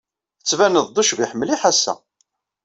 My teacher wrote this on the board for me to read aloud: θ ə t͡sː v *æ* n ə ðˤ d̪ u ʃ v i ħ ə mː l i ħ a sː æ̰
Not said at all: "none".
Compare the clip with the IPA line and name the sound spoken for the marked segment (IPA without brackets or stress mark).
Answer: æ